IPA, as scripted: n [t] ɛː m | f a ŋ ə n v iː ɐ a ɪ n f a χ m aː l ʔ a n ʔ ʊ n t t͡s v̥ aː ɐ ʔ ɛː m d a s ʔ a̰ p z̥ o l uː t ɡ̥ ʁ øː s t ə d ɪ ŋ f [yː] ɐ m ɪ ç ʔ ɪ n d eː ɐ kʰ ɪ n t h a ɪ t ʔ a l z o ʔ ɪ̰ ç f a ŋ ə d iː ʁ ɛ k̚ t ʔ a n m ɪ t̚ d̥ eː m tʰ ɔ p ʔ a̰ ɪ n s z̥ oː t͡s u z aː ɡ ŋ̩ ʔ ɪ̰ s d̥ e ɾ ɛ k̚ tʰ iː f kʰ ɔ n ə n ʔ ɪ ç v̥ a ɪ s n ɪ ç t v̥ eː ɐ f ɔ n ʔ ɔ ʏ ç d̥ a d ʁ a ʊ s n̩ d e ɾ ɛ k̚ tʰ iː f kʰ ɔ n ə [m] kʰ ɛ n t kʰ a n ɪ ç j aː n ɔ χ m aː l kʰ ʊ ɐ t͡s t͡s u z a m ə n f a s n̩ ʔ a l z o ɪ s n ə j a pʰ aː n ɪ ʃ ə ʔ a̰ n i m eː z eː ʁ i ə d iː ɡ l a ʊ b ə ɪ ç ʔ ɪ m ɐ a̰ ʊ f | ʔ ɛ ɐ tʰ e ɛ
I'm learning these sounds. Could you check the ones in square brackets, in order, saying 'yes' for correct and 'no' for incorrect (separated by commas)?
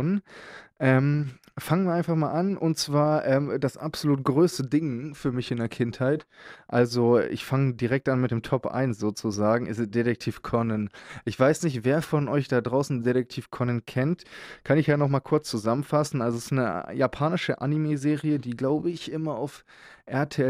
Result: no, yes, no